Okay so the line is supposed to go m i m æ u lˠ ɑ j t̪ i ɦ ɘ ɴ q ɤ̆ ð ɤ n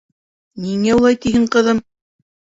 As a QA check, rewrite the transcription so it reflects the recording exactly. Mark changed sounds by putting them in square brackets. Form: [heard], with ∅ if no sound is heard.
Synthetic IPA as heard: [n] i [ŋ] æ u lˠ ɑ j t̪ i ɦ ɘ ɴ q ɤ̆ ð ɤ [m]